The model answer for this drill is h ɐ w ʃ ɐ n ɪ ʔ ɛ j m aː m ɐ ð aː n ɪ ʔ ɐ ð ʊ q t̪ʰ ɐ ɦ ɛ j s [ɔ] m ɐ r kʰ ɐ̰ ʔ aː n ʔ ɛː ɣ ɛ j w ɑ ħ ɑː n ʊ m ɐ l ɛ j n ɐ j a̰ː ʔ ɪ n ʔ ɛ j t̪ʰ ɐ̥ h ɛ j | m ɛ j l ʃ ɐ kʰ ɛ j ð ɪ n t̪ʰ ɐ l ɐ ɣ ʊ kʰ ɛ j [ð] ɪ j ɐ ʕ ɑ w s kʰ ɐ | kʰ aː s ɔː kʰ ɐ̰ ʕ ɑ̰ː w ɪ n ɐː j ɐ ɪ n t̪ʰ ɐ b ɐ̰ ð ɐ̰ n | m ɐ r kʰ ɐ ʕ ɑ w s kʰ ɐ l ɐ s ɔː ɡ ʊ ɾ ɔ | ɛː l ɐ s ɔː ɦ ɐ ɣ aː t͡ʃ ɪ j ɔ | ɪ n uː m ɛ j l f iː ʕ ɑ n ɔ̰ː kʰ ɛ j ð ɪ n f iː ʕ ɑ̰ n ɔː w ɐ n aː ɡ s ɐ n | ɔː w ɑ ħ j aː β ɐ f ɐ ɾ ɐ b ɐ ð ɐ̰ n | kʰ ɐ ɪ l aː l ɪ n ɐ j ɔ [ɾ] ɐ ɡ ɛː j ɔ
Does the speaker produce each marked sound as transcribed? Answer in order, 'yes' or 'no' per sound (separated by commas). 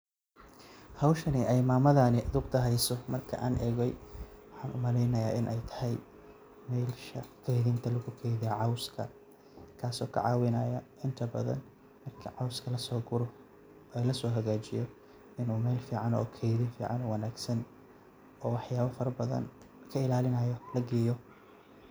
yes, yes, no